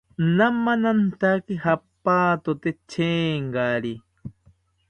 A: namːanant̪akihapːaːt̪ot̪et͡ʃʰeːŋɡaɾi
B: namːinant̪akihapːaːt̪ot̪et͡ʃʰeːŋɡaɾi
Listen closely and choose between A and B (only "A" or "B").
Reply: A